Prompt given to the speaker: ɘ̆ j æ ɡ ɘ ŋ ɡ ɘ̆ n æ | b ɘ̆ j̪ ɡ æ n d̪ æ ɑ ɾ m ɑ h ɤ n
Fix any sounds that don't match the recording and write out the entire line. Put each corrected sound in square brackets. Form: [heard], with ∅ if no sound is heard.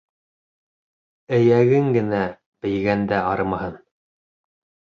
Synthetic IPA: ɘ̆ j æ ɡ ɘ ŋ ɡ ɘ̆ n æ | b ɘ̆ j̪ ɡ æ n d̪ æ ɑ ɾ m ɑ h ɤ n